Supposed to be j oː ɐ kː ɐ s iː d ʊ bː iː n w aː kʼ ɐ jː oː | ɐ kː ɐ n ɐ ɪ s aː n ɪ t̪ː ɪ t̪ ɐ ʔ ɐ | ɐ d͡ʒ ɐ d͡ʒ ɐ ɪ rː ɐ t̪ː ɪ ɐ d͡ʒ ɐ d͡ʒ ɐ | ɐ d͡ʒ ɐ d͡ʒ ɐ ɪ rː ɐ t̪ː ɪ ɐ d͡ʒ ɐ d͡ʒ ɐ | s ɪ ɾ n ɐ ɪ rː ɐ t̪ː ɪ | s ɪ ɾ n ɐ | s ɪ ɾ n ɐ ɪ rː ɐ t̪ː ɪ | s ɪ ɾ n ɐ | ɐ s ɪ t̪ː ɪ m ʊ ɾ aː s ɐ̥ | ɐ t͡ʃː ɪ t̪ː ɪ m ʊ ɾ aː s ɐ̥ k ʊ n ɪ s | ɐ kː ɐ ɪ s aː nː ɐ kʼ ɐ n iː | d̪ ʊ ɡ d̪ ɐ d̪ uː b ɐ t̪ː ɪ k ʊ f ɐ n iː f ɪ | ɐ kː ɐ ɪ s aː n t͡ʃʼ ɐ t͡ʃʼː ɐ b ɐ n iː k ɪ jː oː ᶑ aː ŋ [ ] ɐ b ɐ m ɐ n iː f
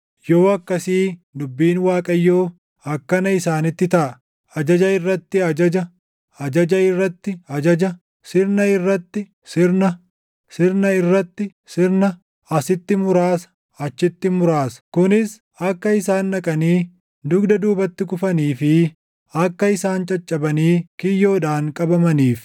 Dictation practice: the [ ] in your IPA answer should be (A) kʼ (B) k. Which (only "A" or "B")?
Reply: A